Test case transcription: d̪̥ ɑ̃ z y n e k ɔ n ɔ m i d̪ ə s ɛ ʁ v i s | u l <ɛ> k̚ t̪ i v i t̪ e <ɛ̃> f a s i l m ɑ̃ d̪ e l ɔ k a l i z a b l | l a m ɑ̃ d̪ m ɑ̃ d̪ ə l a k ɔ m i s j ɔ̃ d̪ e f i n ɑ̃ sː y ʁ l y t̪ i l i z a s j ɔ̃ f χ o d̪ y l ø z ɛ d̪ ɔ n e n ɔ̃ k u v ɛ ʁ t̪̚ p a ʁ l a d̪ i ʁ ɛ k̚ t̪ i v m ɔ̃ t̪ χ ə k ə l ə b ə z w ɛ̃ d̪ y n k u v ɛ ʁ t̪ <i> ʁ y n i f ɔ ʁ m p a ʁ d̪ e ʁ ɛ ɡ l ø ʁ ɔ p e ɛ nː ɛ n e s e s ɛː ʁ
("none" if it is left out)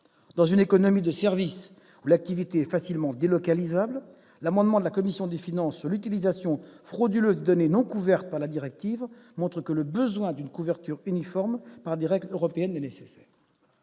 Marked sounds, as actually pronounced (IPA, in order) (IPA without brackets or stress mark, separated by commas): a, ɛ, y